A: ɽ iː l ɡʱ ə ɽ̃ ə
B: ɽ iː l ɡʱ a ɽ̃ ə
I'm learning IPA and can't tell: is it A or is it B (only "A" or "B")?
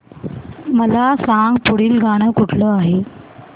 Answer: B